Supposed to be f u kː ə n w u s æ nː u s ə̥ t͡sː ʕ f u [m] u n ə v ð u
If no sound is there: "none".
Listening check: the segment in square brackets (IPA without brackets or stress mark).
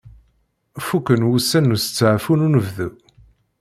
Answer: n